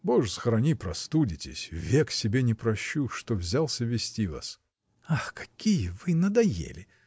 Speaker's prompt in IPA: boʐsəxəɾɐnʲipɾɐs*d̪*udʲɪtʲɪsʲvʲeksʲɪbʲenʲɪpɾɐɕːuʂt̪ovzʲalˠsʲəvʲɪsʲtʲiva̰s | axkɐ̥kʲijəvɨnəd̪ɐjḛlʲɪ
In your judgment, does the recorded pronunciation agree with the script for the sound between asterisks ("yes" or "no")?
no